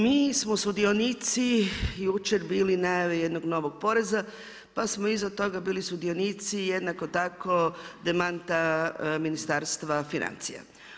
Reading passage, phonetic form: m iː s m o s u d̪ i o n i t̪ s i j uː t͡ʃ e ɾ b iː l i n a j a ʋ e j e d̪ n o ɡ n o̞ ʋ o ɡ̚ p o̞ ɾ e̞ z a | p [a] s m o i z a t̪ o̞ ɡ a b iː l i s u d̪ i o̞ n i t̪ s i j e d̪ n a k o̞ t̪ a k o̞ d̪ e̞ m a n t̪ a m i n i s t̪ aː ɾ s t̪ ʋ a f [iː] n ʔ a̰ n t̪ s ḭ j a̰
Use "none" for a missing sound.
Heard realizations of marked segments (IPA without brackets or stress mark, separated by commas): a, i